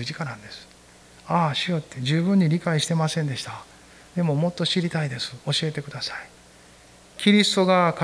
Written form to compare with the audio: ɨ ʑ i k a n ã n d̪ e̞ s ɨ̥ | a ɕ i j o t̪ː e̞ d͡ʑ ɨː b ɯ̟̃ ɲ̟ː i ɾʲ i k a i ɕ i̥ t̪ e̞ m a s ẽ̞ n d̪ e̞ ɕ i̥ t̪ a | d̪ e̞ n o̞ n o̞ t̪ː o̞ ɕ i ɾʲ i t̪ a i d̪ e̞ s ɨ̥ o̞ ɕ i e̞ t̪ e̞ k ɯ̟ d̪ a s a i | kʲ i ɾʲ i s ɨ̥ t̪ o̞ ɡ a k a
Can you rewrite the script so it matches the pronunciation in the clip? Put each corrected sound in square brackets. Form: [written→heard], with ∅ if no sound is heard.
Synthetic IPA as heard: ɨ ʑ i k a n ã n d̪ e̞ s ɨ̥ | a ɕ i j o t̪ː e̞ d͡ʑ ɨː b ɯ̟̃ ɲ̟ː i ɾʲ i k a i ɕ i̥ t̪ e̞ m a s ẽ̞ n d̪ e̞ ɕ i̥ t̪ a | d̪ e̞ [n→m] o̞ [n→m] o̞ t̪ː o̞ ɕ i ɾʲ i t̪ a i d̪ e̞ s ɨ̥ o̞ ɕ i e̞ t̪ e̞ k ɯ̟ d̪ a s a i | kʲ i ɾʲ i s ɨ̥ t̪ o̞ ɡ a k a